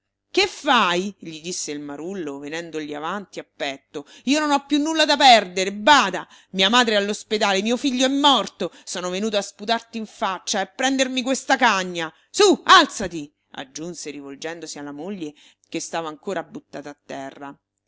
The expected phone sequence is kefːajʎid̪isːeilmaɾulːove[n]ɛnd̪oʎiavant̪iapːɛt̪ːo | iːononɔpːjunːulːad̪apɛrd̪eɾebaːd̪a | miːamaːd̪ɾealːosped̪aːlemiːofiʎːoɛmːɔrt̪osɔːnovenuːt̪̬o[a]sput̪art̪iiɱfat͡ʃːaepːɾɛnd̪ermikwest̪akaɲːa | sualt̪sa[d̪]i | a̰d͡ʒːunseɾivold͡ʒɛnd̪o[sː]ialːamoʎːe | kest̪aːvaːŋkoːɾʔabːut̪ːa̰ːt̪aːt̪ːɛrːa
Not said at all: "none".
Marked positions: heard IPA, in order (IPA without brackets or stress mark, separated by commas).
n, a, t̪, s